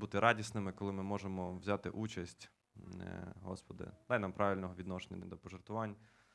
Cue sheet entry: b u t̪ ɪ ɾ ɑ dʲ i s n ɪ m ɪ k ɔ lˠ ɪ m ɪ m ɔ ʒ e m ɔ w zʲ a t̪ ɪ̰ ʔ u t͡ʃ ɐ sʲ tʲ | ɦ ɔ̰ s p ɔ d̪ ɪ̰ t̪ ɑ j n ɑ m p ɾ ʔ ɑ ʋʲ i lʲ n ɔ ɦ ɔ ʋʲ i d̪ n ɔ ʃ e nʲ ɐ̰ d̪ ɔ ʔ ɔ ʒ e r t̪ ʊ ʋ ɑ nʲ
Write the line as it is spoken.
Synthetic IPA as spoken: b u t̪ ɪ ɾ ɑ dʲ i s n ɪ m ɪ k ɔ lˠ ɪ m ɪ m ɔ ʒ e m ɔ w zʲ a t̪ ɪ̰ ʔ u t͡ʃ ɐ sʲ tʲ | ɦ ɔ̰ s p ɔ d̪ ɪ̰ d̪ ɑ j n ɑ m p ɾ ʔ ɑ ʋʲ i lʲ n ɔ ɦ ɔ ʋʲ i d̪ n ɔ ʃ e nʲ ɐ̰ d̪ ɔ p ɔ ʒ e r t̪ ʊ ʋ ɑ nʲ